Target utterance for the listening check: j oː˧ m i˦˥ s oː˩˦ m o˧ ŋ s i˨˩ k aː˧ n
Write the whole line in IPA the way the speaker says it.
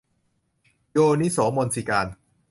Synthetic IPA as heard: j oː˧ n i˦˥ s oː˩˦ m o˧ n s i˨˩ k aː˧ n